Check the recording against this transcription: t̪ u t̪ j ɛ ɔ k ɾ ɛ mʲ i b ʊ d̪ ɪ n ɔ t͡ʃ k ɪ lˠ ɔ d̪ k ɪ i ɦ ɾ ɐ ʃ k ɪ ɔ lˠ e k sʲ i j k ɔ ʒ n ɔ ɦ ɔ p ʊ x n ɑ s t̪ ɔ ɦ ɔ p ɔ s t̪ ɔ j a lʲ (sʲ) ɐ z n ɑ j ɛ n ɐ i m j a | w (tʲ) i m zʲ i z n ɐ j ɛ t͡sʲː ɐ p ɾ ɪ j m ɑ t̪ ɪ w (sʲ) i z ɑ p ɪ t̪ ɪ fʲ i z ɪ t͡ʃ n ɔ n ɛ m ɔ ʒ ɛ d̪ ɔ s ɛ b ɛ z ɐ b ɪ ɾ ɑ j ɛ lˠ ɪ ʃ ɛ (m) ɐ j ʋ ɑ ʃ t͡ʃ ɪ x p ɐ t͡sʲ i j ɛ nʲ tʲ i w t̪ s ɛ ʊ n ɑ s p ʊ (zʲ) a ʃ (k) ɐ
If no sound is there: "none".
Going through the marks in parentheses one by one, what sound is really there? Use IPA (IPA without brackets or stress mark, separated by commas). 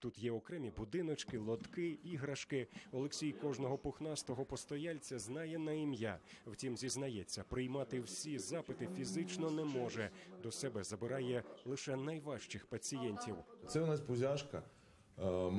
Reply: t͡sʲ, tʲ, sʲ, n, zʲ, k